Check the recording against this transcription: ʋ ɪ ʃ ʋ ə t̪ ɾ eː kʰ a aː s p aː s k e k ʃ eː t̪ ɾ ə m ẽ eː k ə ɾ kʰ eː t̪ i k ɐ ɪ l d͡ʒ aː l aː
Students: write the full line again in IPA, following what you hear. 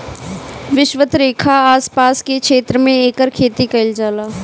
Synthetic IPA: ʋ ɪ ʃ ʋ ə t̪ ɾ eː kʰ a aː s p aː s k e k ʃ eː t̪ ɾ ə m ẽ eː k ə ɾ kʰ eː t̪ i k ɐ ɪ l d͡ʒ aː l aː

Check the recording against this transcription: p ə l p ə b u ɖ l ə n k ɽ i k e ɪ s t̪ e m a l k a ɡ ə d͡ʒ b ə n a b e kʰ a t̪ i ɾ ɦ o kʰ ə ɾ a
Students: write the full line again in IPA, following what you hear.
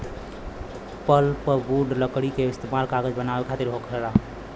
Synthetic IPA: p ə l p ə b u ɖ l ə k ɽ i k e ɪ s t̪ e m a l k a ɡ ə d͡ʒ b ə n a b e kʰ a t̪ i ɾ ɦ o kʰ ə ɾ a

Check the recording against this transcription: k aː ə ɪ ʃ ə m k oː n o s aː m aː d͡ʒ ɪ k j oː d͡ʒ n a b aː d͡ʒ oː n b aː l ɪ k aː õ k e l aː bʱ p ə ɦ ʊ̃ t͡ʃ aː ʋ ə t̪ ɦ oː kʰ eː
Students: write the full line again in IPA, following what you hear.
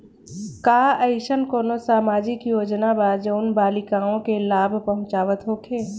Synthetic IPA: k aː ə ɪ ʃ ə n k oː n o s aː m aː d͡ʒ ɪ k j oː d͡ʒ n a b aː d͡ʒ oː n b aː l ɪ k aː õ k e l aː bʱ p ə ɦ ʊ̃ t͡ʃ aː ʋ ə t̪ ɦ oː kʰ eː

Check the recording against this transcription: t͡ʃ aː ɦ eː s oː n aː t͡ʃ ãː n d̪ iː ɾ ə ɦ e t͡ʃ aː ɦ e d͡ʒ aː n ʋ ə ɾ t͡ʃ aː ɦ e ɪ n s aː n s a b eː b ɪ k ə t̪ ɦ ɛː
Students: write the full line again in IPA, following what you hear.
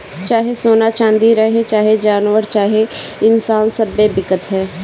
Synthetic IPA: t͡ʃ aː ɦ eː s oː n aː t͡ʃ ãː n d̪ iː ɾ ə ɦ e t͡ʃ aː ɦ e d͡ʒ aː n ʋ ə ɾ t͡ʃ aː ɦ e ɪ n s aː n s ə b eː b ɪ k ə t̪ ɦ ɛː

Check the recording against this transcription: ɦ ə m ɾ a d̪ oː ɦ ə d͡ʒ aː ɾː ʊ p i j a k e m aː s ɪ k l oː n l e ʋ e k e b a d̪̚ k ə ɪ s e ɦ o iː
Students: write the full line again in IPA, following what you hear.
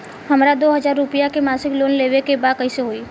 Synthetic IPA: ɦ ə m ɾ a d̪ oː ɦ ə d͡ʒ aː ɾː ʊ p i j a k e m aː s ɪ k l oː n l e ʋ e k e b a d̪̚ k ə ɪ s e ɦ o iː

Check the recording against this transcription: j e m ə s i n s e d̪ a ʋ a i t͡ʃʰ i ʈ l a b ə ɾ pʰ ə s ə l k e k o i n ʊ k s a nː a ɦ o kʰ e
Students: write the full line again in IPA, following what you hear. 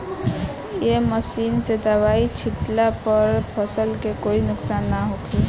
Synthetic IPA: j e m ə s i n s e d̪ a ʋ a i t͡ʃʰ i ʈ l a p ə ɾ pʰ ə s ə l k e k o i n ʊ k s a nː a ɦ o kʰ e

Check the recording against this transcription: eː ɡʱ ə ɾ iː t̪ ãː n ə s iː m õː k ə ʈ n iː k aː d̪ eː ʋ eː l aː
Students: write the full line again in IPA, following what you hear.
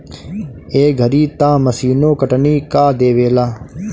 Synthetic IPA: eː ɡʱ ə ɾ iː t̪ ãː m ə s iː n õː k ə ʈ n iː k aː d̪ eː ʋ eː l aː

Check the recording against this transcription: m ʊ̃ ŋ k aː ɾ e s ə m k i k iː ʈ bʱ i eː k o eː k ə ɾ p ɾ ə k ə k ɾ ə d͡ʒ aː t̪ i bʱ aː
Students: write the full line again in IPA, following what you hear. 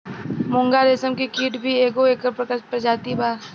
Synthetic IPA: m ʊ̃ ŋ ɡ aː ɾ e s ə m k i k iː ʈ bʱ i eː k o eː k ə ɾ p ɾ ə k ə p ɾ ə d͡ʒ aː t̪ i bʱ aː

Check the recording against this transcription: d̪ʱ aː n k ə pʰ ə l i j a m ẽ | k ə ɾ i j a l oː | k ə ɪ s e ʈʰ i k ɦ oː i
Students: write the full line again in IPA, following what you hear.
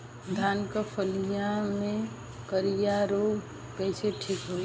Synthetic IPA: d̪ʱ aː n k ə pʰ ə l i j a m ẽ | k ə ɾ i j a ɾ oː | k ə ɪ s e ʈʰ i k ɦ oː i

